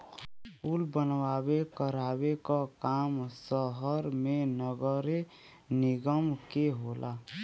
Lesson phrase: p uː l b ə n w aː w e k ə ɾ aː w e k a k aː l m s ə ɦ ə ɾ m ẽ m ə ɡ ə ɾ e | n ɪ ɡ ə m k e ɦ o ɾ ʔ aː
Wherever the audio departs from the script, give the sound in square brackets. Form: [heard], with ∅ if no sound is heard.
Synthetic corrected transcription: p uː l b ə n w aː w e k ə ɾ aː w e k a k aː [∅] m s ə ɦ ə ɾ m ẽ [n] ə ɡ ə ɾ e | n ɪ ɡ ə m k e ɦ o [l] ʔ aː